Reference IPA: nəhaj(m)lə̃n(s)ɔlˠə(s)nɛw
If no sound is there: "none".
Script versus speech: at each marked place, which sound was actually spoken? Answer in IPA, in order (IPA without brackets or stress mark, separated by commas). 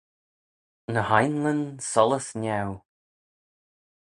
n, s, s